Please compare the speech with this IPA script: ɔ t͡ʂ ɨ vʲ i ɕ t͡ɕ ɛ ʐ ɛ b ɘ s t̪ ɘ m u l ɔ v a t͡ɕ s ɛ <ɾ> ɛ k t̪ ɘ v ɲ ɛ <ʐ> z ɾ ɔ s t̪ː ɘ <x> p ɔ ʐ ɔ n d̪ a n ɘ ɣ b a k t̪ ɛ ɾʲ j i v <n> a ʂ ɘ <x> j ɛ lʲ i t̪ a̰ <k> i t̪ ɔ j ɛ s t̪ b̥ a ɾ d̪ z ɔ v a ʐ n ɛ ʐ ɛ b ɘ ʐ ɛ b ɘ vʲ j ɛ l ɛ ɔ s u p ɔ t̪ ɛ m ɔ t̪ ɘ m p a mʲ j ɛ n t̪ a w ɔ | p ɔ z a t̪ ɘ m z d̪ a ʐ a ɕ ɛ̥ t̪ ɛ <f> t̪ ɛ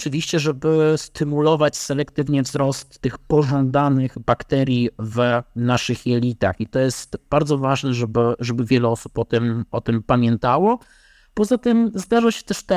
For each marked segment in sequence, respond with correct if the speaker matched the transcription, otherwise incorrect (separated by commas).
incorrect, incorrect, correct, correct, correct, incorrect, incorrect